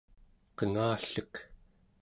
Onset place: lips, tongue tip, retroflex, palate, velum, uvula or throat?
uvula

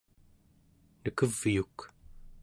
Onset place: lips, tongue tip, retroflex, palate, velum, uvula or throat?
tongue tip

